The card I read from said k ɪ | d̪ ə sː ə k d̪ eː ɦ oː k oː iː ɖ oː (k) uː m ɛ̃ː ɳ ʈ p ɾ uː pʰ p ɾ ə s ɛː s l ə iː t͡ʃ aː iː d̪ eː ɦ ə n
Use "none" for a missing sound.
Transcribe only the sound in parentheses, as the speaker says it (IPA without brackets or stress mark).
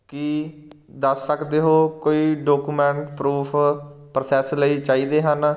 k